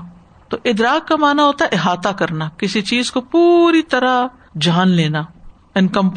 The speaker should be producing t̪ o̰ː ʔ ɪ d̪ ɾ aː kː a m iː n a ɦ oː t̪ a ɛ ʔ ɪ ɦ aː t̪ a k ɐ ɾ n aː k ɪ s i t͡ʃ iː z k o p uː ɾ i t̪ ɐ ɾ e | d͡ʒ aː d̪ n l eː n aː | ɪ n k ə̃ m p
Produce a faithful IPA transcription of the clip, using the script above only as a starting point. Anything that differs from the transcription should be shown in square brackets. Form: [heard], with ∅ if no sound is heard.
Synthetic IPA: t̪ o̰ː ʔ ɪ d̪ ɾ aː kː a m [aː] n a ɦ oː t̪ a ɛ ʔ ɪ ɦ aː t̪ a k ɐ ɾ n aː k ɪ s i t͡ʃ iː z k o p uː ɾ i t̪ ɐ ɾ [a] | d͡ʒ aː [∅] n l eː n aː | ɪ n k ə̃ m p